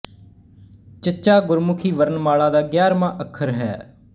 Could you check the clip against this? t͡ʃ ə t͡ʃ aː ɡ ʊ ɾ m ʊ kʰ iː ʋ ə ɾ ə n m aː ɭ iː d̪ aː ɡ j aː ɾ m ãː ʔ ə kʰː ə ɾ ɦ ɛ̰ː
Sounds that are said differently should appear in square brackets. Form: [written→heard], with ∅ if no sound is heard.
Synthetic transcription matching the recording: t͡ʃ ə t͡ʃ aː ɡ ʊ ɾ m ʊ kʰ iː ʋ ə ɾ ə n m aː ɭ [iː→aː] d̪ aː ɡ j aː ɾ m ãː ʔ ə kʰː ə ɾ ɦ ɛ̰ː